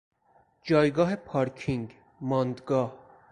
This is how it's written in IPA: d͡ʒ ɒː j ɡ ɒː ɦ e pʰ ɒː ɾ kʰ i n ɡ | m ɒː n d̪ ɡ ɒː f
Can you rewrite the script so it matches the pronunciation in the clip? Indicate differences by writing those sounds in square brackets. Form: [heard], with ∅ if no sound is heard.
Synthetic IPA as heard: d͡ʒ ɒː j ɡ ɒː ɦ e pʰ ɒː ɾ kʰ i [ŋ] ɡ | m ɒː n d̪ ɡ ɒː [h]